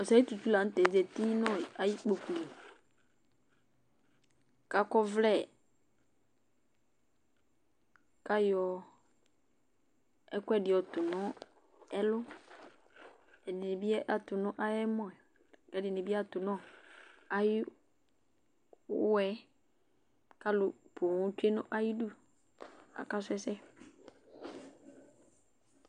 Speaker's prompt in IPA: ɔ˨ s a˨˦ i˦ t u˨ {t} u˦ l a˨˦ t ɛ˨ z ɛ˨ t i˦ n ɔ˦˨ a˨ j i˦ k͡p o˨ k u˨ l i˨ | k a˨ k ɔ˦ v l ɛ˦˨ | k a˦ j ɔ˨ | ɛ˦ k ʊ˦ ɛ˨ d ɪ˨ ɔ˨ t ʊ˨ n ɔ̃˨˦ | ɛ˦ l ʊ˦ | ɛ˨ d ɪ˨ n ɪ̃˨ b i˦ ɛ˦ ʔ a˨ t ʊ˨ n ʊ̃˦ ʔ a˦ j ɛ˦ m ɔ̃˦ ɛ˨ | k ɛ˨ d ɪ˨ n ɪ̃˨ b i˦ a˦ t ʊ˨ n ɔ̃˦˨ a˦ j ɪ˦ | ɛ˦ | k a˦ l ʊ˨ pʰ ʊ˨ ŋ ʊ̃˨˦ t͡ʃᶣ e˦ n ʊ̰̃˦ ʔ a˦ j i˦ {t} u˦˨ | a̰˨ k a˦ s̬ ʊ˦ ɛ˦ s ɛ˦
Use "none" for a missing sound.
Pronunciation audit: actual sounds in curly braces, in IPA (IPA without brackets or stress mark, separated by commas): t, d